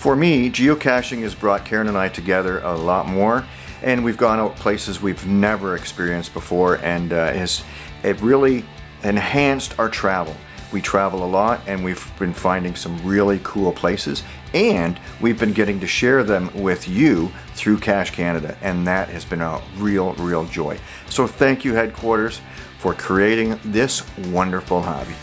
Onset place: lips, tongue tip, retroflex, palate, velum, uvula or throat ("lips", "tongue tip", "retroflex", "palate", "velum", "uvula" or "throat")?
lips